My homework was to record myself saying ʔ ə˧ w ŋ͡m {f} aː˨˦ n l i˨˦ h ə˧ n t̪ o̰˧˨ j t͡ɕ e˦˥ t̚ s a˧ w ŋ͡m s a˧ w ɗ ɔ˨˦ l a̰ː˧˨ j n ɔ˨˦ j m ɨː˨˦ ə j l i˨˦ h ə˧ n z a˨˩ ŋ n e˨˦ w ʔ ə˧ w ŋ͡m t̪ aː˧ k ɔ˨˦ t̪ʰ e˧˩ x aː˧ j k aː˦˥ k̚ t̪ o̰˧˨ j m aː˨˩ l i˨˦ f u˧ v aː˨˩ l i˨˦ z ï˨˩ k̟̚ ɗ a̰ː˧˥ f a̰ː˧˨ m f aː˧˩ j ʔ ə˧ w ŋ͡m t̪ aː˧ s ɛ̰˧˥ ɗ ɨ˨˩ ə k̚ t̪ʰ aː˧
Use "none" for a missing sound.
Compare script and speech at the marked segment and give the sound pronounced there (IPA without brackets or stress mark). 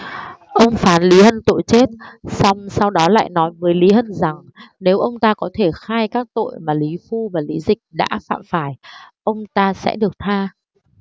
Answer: f